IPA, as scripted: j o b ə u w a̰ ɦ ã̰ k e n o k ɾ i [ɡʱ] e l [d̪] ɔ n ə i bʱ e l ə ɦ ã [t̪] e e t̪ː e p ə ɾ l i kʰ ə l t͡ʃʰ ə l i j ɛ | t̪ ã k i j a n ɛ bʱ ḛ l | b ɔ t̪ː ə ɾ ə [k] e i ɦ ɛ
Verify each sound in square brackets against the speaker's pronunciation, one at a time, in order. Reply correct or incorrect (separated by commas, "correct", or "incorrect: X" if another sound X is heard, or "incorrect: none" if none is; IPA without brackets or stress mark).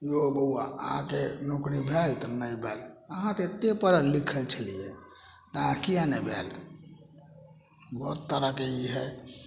incorrect: bʱ, incorrect: t̪, correct, correct